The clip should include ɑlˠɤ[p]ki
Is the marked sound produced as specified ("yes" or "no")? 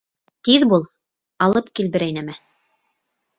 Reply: yes